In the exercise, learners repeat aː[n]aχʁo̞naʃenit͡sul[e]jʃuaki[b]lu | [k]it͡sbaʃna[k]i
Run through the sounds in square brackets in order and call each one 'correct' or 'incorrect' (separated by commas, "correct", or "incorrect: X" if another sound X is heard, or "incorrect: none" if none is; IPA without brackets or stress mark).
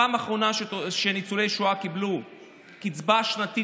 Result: incorrect: m, correct, correct, correct, incorrect: t